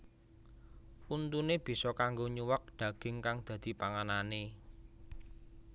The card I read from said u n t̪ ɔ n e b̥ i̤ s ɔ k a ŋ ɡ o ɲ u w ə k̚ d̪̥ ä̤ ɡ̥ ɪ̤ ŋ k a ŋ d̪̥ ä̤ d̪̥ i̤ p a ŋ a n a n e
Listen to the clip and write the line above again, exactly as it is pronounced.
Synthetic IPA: u n t̪ u n e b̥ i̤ s ɔ k a ŋ ɡ o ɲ u w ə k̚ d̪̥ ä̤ ɡ̥ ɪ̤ ŋ k a ŋ d̪̥ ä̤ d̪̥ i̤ p a ŋ a n a n e

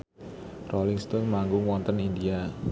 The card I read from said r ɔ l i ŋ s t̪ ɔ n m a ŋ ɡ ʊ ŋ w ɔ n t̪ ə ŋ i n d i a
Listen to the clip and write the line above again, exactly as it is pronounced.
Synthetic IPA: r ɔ l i ŋ s t̪ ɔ n m a ŋ ɡ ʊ ŋ w ɔ n t̪ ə n i n d i a

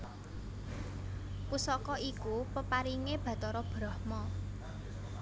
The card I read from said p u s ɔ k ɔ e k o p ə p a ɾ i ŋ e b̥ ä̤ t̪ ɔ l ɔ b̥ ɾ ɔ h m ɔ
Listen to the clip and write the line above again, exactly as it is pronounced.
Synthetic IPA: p u s ɔ k ɔ i k u p ə p a ɾ i ŋ e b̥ ä̤ t̪ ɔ ɾ ɔ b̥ ɾ ɔ h m ɔ

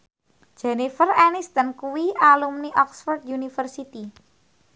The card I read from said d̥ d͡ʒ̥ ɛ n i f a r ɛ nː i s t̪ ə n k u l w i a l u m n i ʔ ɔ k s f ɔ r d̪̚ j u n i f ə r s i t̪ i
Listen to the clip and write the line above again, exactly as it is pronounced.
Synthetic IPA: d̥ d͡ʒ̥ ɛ n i f ə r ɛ n i s t̪ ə n k u w i a l u m n i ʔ ɔ k s f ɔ r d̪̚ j u n i f ə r s i t̪ i

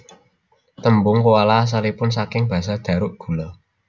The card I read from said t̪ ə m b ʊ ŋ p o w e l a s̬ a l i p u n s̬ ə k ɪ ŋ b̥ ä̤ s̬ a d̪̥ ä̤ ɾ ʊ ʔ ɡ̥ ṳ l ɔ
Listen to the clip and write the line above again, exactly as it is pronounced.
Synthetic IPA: t̪ ə m b ʊ ŋ k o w a l a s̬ a l i p ʊ n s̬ a k ɪ ŋ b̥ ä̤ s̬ a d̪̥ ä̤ ɾ ʊ ʔ ɡ̥ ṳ l ɔ

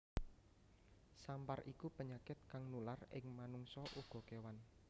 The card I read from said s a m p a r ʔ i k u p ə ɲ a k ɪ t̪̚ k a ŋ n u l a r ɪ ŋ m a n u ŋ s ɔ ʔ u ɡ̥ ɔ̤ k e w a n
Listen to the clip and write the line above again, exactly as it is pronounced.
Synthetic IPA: s a m p a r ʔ i k u p ə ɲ a k ɪ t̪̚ k a ŋ n u l a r ɪ ŋ m a n u ŋ s ɔ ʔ u ɡ̥ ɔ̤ k e w a n

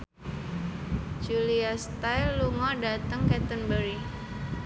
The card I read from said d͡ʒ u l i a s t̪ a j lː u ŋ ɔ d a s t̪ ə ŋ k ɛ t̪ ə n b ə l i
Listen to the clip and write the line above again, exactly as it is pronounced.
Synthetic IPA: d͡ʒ u l i a s t̪ a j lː u ŋ ɔ d a t̪ ə ŋ k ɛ t̪ ə n b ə ɾ i

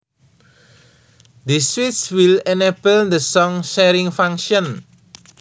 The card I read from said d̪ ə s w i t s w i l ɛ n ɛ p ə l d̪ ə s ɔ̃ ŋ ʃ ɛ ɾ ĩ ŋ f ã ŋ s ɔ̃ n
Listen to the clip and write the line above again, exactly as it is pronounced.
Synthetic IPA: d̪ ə s w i t s w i l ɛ n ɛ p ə l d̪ ə s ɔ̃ ŋ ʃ ɛ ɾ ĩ ŋ f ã ŋ ʃ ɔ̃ n

